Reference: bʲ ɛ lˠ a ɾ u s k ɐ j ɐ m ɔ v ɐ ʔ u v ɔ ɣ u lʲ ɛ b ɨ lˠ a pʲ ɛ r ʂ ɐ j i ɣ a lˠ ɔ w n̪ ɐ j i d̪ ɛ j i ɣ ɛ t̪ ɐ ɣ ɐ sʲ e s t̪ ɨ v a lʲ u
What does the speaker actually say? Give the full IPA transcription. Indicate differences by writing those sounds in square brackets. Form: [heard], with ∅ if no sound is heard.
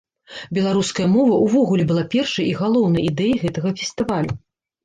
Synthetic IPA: bʲ ɛ lˠ a ɾ u s k ɐ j ɐ m ɔ v ɐ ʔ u v ɔ ɣ u lʲ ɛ b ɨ lˠ a pʲ ɛ r ʂ ɐ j i ɣ a lˠ ɔ w n̪ ɐ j i d̪ ɛ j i ɣ ɛ t̪ ɐ ɣ ɐ [fʲ] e s t̪ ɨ v a lʲ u